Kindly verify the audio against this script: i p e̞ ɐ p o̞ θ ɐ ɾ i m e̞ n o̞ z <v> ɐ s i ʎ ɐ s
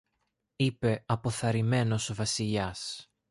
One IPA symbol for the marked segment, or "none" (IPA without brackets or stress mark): v